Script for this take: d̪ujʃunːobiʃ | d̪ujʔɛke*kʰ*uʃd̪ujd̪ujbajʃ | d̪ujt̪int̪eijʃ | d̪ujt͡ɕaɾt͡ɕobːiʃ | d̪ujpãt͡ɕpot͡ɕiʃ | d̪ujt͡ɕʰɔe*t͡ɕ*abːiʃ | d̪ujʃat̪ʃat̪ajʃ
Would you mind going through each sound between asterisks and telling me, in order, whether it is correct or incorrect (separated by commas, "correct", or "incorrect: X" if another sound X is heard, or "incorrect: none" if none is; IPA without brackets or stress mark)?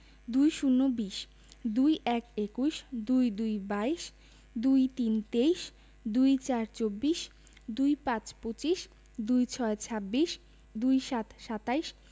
incorrect: k, incorrect: t͡ɕʰ